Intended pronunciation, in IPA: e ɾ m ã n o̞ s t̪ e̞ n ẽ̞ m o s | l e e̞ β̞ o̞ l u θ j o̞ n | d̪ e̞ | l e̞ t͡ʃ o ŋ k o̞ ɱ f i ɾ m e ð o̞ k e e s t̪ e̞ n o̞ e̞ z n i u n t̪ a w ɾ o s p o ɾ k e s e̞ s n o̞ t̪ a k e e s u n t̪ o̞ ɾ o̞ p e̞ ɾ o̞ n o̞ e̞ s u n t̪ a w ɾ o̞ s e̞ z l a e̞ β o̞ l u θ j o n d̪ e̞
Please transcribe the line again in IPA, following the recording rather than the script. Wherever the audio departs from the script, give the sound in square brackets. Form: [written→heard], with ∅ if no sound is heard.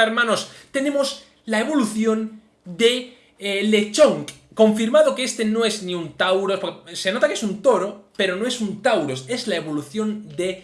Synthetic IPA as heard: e ɾ m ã n o̞ s t̪ e̞ n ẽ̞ m o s | l [e→a] e̞ β̞ o̞ l u θ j o̞ n | d̪ e̞ | l e̞ t͡ʃ o ŋ k o̞ ɱ f i ɾ m [e→a] ð o̞ k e e s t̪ e̞ n o̞ e̞ z n i u n t̪ a w ɾ o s p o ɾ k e s e̞ [s→∅] n o̞ t̪ a k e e s u n t̪ o̞ ɾ o̞ p e̞ ɾ o̞ n o̞ e̞ s u n t̪ a w ɾ o̞ s e̞ z l a e̞ β o̞ l u θ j o n d̪ e̞